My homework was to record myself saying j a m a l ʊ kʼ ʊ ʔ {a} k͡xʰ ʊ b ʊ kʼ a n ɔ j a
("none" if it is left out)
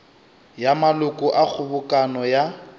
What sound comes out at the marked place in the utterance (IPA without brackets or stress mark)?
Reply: a